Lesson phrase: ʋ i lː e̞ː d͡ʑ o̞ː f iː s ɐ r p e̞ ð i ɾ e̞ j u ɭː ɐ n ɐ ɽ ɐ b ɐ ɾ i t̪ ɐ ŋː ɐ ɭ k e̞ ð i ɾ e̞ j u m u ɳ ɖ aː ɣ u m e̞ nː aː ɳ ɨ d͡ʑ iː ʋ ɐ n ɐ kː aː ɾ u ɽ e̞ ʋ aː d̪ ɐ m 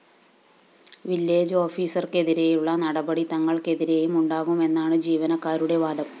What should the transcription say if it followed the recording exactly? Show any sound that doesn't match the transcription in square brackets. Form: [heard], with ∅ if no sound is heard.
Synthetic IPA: ʋ i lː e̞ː d͡ʑ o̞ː f iː s ɐ r [k] e̞ ð i ɾ e̞ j u ɭː ɐ n ɐ ɽ ɐ b ɐ [ɽ] i t̪ ɐ ŋː ɐ ɭ k e̞ ð i ɾ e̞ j u m u ɳ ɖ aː ɣ u m e̞ nː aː ɳ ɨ d͡ʑ iː ʋ ɐ n ɐ kː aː ɾ u ɽ e̞ ʋ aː d̪ ɐ m